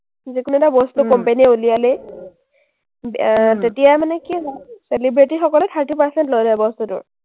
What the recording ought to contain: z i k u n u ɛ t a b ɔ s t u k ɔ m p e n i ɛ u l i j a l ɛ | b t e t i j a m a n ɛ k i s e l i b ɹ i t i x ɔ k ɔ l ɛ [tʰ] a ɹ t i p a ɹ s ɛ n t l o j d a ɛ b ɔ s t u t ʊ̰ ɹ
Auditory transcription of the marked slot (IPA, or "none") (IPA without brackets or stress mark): tʰ